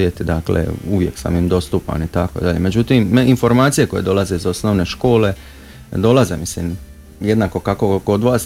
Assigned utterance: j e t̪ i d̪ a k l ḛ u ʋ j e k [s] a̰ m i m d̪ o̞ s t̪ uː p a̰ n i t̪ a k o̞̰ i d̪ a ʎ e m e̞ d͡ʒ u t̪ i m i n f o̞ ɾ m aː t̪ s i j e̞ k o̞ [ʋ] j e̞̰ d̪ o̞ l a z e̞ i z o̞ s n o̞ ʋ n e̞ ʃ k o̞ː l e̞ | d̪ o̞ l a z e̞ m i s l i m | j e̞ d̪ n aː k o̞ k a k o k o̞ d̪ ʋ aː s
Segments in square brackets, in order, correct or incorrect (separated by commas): correct, incorrect